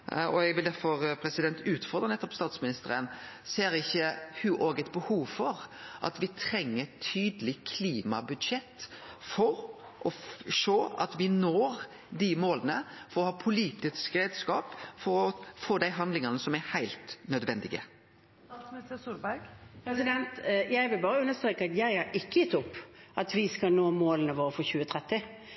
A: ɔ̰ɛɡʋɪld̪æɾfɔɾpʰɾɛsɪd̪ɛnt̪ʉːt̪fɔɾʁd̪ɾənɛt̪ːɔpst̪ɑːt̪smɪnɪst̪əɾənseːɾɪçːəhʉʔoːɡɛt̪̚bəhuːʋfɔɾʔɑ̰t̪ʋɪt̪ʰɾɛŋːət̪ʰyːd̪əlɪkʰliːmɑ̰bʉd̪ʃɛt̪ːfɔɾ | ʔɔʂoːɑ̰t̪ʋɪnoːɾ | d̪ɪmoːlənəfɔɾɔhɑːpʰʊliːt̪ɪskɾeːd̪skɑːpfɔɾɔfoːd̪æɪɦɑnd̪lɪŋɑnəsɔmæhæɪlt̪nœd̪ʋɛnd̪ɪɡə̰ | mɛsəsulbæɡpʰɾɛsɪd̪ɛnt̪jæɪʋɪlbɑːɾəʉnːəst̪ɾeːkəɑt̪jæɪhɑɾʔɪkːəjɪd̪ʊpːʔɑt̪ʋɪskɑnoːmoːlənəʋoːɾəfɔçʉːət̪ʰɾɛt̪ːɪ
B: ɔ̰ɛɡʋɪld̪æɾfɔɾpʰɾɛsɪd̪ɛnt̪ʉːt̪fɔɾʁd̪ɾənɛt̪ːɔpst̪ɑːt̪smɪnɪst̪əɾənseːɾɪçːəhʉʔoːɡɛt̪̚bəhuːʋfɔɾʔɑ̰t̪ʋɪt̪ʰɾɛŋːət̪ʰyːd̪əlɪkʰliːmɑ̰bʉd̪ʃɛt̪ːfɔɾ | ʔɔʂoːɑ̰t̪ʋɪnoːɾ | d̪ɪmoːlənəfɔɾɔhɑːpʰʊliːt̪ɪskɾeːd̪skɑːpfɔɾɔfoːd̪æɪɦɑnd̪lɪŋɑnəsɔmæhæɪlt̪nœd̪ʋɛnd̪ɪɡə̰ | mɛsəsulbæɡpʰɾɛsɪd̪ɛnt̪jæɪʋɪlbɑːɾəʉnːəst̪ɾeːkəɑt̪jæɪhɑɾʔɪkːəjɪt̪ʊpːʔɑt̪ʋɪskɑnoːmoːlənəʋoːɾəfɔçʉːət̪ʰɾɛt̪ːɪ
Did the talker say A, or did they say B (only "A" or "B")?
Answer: B